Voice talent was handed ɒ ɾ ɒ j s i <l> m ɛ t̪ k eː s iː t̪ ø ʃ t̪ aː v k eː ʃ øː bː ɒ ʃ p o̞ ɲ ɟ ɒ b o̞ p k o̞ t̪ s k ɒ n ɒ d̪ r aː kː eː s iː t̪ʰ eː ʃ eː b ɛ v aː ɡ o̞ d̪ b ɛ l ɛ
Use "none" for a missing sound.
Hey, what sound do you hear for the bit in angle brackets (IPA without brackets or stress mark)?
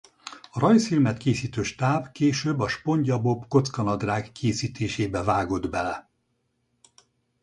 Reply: l